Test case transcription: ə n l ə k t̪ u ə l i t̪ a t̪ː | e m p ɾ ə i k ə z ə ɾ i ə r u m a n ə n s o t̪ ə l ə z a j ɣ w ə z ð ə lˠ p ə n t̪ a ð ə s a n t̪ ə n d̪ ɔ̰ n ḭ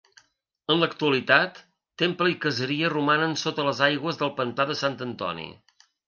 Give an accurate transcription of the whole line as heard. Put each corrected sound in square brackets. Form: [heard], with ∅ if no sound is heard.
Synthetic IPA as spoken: ə n l ə k t̪ u ə l i t̪ a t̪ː | e m p [l] ə i k ə z ə ɾ i ə r u m a n ə n s o t̪ ə l ə z a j ɣ w ə z ð ə lˠ p ə n t̪ a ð ə s a n t̪ ə n [t̪] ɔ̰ n ḭ